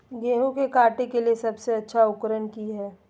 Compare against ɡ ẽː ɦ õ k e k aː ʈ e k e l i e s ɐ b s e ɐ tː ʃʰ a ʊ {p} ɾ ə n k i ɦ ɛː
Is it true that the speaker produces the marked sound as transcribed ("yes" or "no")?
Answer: no